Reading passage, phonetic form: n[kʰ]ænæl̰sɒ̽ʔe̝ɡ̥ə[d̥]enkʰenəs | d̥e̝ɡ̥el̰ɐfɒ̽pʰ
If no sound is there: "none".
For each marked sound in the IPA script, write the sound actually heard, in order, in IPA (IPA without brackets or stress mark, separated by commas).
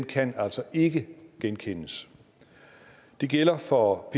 kʰ, ɡ̥